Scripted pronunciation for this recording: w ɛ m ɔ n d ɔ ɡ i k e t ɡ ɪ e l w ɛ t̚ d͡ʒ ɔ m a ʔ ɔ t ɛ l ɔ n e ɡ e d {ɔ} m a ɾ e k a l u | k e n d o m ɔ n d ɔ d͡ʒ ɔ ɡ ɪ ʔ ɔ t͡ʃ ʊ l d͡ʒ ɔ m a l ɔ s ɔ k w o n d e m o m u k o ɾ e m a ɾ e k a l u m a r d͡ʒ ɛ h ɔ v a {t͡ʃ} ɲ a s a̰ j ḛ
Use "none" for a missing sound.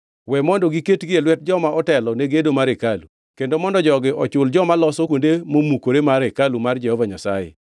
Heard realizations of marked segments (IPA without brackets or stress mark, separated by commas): o, none